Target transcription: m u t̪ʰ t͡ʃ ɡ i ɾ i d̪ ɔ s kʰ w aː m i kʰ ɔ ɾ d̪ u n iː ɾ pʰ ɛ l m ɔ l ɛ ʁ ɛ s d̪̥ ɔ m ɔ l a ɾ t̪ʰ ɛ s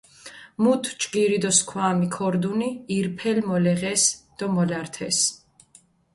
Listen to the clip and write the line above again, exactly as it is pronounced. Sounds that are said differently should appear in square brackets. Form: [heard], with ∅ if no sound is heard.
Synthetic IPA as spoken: m u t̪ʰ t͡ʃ ɡ i ɾ i d̪ ɔ s kʰ w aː m i kʰ ɔ ɾ d̪ u n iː ɾ pʰ ɛ l m ɔ l ɛ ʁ ɛ s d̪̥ ɔ m ɔ l a ɾ t̪ʰ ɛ s